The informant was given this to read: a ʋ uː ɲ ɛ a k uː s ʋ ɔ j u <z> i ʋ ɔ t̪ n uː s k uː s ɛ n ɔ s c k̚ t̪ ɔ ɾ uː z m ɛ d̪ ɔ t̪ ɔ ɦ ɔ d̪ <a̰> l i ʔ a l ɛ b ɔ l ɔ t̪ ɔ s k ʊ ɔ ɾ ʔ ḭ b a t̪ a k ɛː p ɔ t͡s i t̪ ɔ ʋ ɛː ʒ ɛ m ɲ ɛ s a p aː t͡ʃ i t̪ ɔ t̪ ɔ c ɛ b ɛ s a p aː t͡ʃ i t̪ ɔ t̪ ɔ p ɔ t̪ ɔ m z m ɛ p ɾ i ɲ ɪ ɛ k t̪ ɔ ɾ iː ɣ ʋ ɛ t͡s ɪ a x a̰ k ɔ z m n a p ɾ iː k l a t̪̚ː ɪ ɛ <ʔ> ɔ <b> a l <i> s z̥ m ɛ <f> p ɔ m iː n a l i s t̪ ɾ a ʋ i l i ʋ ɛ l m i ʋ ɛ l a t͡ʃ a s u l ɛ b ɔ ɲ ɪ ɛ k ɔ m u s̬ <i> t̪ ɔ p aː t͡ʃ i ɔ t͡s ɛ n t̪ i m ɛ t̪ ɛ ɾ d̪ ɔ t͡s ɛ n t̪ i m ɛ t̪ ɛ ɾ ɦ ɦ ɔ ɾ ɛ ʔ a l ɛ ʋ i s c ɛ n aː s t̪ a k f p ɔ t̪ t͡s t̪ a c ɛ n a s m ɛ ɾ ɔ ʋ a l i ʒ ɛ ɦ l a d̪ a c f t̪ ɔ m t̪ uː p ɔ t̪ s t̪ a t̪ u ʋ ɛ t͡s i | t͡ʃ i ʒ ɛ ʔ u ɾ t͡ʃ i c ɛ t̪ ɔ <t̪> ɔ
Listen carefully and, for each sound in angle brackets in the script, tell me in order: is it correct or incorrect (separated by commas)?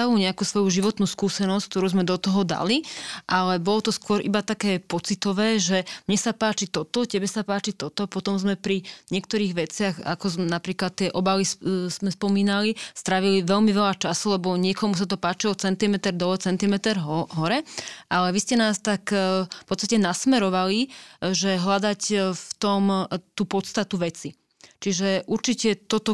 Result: incorrect, correct, correct, correct, correct, incorrect, incorrect, correct